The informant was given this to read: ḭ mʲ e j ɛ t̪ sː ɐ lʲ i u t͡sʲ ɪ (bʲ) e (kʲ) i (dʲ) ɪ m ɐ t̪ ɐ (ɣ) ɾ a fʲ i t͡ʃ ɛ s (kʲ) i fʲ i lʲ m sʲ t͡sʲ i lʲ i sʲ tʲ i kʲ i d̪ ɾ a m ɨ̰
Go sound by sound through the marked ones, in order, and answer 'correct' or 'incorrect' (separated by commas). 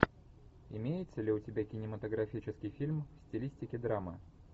correct, correct, incorrect, correct, correct